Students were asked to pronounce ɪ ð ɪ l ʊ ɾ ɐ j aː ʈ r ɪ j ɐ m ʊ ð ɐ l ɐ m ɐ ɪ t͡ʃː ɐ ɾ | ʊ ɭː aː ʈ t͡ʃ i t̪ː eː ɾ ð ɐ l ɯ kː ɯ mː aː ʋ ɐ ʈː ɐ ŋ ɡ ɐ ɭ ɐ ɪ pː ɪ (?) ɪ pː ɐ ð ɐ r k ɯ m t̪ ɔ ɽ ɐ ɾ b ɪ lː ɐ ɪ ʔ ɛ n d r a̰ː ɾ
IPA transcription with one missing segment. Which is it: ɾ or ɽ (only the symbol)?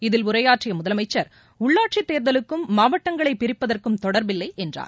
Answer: ɾ